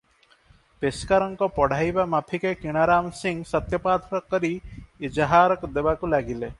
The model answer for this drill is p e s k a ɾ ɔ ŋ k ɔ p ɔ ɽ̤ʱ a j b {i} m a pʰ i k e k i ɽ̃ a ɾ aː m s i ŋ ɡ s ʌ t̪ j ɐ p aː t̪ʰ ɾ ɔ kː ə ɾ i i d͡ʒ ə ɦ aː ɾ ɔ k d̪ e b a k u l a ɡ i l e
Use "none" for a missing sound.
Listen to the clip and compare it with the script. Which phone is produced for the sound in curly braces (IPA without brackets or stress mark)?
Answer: a